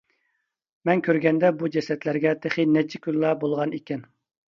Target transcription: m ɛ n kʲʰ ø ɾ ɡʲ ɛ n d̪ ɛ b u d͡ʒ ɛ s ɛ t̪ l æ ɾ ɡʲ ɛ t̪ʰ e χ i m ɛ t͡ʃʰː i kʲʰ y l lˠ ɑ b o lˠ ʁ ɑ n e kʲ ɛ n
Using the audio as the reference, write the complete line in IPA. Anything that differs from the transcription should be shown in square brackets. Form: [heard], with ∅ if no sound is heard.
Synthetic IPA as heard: m ɛ n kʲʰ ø ɾ ɡʲ ɛ n d̪ ɛ b u d͡ʒ ɛ s ɛ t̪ l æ ɾ ɡʲ ɛ t̪ʰ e χ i [n] ɛ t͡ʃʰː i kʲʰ y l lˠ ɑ b o lˠ ʁ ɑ n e kʲ ɛ n